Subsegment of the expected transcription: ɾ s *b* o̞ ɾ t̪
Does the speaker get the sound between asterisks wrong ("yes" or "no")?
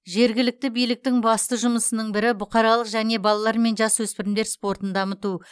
yes